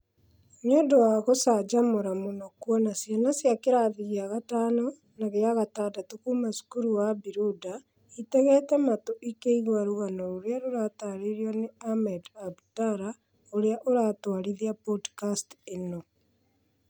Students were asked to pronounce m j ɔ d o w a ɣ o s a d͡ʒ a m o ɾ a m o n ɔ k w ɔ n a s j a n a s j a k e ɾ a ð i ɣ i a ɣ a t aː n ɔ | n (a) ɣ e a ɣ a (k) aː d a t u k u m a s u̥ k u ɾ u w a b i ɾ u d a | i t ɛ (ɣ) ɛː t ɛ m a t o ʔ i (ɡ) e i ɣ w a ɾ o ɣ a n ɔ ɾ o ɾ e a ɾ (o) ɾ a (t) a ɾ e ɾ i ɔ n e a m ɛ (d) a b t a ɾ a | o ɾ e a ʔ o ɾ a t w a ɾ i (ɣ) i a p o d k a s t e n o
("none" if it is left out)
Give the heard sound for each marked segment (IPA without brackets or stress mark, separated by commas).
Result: a, t, ɣ, k, o, t, d, ð